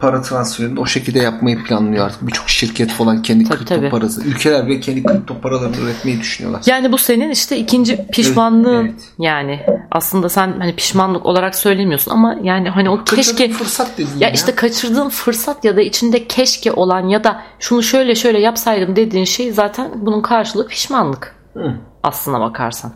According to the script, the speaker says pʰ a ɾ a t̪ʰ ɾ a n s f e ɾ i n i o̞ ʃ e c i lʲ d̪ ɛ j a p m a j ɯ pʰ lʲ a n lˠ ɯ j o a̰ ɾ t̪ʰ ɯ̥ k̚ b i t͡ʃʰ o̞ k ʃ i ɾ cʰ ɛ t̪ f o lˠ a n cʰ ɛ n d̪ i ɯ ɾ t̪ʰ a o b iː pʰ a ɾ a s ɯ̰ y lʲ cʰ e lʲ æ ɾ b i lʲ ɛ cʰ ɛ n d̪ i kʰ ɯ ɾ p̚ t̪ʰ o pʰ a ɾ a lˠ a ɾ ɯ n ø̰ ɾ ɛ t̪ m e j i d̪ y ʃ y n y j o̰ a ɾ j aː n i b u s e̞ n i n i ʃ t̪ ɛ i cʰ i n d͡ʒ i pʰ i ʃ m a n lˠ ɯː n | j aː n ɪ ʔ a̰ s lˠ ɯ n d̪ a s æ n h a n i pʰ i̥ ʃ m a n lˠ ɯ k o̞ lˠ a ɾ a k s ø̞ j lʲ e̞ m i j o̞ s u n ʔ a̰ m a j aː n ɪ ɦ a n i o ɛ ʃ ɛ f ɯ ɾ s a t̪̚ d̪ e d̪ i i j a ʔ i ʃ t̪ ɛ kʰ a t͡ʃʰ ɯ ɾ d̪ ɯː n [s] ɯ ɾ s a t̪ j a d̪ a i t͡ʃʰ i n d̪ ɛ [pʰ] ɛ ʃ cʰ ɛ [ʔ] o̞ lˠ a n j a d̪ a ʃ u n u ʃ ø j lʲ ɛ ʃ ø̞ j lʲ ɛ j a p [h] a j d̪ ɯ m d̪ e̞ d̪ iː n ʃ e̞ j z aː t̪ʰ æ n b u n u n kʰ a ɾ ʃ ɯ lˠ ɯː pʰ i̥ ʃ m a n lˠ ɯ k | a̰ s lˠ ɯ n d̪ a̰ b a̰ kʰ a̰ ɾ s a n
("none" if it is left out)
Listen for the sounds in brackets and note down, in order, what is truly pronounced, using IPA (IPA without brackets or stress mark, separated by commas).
f, cʰ, ʔ, s